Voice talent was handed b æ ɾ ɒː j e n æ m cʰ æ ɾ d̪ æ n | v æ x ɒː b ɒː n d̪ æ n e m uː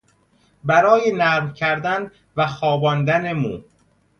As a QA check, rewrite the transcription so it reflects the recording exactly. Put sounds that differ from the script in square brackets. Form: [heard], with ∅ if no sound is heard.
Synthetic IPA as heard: b æ ɾ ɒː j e n æ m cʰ æ ɾ d̪ æ n | v æ x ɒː b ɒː n d̪ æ n e m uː